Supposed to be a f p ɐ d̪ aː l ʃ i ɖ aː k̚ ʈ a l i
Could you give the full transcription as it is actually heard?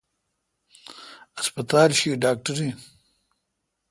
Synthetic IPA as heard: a s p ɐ t̪ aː l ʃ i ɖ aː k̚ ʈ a ɾ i